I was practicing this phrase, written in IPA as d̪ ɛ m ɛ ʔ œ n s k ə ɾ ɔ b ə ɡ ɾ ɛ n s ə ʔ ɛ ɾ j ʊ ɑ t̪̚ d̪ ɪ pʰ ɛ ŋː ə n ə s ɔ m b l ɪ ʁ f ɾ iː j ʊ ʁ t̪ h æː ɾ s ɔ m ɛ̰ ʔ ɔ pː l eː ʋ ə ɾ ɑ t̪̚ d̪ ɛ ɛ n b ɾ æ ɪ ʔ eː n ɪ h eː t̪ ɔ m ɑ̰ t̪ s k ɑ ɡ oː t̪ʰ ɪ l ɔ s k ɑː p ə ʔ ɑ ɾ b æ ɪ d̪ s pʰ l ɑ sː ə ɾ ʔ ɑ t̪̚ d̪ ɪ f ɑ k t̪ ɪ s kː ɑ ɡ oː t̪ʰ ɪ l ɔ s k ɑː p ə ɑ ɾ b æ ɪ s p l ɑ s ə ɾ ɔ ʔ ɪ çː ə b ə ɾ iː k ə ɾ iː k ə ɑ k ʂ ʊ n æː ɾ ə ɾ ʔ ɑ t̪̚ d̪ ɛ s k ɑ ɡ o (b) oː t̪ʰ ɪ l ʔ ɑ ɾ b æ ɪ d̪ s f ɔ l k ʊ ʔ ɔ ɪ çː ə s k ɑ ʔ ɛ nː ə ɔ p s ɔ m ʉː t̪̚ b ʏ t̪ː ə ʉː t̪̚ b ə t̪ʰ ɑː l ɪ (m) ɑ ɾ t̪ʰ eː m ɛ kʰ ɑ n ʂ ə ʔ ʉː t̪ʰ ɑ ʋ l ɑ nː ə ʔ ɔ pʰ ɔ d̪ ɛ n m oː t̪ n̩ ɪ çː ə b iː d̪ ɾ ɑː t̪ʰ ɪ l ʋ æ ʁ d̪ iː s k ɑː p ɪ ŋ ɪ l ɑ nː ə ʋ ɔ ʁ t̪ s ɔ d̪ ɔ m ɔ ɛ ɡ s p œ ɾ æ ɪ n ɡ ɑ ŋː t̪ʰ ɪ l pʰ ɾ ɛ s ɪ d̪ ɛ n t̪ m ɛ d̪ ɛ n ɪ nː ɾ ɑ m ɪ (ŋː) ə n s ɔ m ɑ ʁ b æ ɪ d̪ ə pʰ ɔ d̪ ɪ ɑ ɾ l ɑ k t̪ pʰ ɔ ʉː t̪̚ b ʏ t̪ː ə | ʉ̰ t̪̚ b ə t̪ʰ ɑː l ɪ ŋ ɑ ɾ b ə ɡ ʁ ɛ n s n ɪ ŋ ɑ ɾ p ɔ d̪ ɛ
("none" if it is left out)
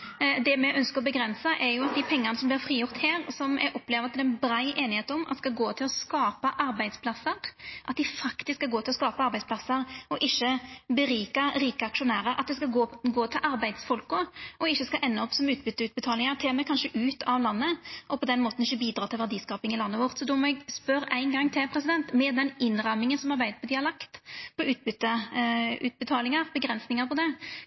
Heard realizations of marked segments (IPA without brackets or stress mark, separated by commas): ɡ, ŋ, ŋ